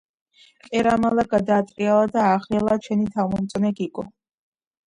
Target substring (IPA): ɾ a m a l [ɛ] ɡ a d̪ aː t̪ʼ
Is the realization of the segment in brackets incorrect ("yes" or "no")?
yes